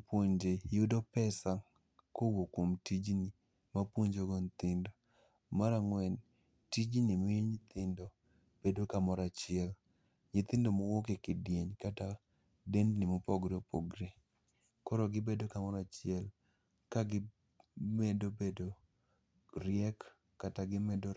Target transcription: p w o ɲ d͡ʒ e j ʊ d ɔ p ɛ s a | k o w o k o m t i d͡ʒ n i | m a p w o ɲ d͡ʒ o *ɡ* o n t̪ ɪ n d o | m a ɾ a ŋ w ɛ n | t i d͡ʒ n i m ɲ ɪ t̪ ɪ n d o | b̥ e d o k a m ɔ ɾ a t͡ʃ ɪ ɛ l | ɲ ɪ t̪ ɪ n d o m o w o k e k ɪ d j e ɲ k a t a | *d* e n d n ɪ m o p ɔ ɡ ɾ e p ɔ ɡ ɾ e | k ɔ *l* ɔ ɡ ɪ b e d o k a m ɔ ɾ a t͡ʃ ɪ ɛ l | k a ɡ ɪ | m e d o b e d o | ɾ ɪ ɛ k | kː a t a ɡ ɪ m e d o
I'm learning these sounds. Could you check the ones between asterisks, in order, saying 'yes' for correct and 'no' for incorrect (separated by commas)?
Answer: yes, yes, no